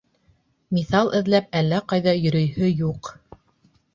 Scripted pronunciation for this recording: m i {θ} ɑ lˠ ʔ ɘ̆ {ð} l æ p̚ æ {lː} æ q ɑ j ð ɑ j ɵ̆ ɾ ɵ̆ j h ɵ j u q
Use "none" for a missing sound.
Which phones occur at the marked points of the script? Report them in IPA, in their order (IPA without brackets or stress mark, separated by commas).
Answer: θ, ð, lː